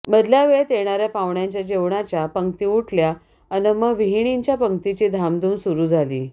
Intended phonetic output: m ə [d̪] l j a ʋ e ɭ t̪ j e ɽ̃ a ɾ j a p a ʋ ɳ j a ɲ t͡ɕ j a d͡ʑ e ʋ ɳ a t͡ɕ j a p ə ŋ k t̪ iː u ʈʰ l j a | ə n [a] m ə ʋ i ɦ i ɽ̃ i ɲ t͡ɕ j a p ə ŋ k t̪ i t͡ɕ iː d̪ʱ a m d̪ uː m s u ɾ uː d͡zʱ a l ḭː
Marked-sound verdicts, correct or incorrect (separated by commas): correct, incorrect